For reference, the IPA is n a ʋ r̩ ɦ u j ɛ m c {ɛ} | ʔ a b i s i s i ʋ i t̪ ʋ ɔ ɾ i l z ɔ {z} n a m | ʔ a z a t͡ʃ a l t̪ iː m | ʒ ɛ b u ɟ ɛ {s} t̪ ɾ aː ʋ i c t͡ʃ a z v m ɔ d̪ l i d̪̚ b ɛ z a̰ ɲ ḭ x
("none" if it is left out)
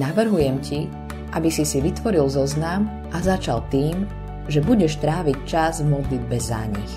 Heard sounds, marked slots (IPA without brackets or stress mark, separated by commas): i, z, ʃ